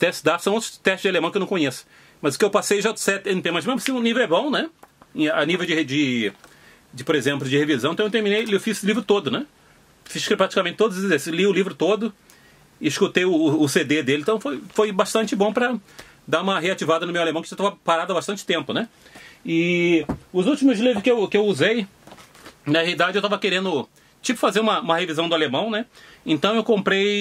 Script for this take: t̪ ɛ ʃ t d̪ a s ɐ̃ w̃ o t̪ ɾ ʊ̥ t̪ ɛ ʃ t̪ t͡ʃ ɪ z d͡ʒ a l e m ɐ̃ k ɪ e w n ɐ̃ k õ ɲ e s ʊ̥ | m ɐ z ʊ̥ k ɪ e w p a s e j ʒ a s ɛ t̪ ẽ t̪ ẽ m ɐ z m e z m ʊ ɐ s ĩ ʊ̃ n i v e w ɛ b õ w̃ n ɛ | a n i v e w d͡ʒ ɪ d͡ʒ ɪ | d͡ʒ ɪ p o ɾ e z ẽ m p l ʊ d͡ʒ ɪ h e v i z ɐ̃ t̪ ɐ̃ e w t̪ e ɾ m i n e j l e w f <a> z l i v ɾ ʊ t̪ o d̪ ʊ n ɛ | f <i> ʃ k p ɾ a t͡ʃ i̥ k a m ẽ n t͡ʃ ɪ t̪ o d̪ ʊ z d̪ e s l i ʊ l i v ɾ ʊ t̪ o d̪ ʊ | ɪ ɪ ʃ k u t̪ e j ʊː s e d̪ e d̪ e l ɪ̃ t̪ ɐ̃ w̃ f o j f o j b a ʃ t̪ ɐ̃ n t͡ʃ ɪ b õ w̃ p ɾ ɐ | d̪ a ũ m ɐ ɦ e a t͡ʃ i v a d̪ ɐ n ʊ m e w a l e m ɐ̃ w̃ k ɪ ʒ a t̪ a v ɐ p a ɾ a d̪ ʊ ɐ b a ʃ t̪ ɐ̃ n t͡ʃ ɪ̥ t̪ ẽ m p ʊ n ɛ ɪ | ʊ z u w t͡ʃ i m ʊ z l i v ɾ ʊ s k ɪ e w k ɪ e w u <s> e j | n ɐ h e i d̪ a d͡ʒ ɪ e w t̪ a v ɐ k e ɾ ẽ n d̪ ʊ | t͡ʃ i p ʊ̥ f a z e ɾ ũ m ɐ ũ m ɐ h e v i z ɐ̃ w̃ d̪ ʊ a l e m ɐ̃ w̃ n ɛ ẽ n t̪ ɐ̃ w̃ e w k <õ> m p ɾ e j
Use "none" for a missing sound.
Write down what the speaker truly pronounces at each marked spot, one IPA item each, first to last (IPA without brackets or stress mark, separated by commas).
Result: i, i, z, õ